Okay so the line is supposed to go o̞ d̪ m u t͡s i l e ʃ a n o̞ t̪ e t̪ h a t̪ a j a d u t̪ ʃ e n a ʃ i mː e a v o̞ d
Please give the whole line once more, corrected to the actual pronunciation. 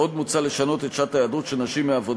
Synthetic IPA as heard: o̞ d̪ m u t͡s a l e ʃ a n o̞ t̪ e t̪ ʃ a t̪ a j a d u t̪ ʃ e n a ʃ i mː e a v o̞ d